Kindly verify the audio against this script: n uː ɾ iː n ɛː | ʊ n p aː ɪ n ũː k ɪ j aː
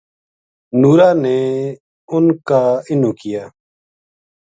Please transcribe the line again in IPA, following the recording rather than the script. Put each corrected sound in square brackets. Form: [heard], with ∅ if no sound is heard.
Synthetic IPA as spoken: n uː ɾ [aː] n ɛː | ʊ n [k] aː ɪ n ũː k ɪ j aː